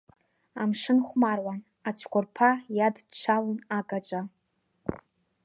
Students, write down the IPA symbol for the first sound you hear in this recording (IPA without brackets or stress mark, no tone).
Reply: a